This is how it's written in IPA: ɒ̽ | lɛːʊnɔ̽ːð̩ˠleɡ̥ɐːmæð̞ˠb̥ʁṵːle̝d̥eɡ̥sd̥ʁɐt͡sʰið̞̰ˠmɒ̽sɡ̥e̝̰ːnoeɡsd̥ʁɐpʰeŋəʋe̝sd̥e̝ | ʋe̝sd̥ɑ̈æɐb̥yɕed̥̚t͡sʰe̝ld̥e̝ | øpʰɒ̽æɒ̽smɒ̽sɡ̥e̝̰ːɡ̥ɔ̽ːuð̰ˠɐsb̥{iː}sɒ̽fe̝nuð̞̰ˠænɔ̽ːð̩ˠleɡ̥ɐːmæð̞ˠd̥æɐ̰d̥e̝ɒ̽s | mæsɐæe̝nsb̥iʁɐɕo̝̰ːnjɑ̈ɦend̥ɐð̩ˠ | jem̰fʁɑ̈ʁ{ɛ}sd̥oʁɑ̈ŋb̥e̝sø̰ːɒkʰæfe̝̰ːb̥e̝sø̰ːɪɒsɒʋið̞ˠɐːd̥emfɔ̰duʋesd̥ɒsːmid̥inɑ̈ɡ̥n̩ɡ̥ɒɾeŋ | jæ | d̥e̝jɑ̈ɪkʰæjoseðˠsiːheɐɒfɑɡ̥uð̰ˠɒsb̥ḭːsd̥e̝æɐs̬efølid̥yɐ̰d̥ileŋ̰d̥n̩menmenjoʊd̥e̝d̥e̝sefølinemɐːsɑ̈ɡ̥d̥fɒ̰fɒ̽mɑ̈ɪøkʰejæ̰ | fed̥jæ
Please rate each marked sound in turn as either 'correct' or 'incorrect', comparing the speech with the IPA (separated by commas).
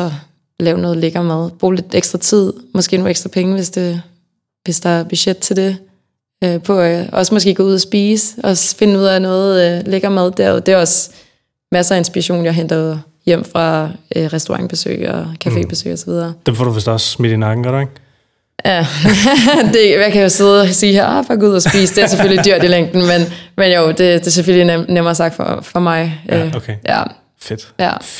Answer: correct, correct